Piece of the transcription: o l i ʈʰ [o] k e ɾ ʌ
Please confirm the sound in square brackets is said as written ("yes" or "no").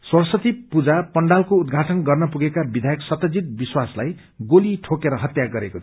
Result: yes